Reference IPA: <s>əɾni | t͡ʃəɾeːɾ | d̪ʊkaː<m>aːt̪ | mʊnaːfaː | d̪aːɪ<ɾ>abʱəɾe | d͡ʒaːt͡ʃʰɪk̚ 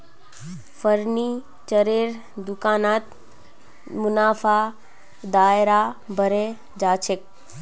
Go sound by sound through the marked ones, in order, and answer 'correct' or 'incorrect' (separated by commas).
incorrect, incorrect, correct